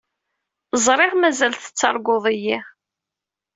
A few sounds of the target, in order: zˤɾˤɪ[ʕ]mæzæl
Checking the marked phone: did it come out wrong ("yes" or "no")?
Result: yes